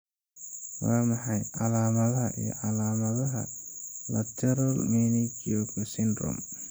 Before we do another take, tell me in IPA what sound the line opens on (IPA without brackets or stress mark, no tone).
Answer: w